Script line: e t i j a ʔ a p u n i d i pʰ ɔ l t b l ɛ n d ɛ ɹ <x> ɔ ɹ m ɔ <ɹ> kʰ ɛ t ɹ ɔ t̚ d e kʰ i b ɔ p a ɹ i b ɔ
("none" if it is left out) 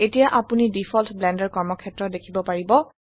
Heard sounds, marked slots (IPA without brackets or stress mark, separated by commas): k, none